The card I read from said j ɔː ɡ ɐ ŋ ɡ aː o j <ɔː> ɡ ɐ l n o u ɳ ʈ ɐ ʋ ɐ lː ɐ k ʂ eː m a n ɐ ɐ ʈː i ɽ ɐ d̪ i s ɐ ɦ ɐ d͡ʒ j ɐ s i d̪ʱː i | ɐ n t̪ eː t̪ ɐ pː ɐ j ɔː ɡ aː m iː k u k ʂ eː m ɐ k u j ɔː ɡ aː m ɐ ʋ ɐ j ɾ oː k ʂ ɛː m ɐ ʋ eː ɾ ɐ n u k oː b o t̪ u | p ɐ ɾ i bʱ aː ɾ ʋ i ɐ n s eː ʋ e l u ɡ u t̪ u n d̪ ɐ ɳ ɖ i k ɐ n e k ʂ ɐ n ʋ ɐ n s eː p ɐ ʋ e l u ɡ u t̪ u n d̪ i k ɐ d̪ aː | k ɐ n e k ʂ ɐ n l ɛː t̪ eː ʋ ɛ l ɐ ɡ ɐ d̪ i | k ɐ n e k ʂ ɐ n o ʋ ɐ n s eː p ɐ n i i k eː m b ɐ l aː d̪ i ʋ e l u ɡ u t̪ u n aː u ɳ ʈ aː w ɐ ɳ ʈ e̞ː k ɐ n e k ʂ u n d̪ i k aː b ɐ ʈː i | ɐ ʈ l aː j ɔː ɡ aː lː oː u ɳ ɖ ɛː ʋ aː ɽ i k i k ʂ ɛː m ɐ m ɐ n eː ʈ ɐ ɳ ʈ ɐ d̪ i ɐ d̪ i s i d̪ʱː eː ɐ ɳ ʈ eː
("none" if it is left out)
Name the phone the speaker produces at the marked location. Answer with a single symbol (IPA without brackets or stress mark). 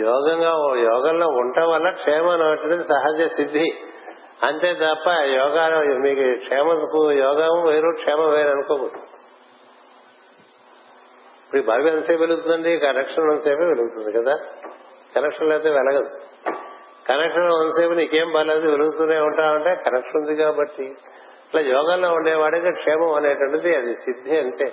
ɔː